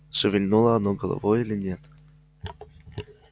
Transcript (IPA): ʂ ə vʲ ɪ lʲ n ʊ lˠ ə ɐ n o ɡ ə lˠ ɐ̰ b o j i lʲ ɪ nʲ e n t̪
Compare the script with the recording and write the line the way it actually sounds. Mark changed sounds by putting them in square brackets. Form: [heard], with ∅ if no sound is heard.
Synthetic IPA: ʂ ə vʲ ɪ lʲ n [u] lˠ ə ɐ n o ɡ ə lˠ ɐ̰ [v] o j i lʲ ɪ nʲ e [∅] t̪